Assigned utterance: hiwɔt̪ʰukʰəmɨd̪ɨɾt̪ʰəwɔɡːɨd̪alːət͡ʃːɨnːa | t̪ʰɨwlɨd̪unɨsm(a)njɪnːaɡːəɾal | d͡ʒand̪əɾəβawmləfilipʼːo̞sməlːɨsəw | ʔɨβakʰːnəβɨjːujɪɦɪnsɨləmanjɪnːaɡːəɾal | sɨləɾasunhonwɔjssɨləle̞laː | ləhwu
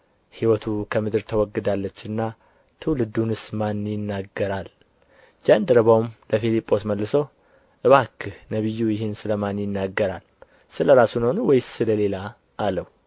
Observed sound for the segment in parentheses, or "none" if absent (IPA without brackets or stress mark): a